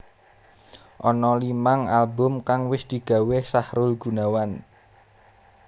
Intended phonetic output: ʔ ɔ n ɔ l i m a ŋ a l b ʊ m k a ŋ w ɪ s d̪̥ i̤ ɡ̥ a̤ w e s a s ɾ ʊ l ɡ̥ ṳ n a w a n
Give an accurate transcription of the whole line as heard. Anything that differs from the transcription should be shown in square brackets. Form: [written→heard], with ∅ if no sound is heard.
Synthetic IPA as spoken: ʔ ɔ n ɔ l i m a ŋ a l b ʊ m k a ŋ w ɪ s d̪̥ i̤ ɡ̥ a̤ w e s a [s→h] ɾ ʊ l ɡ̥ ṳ n a w a n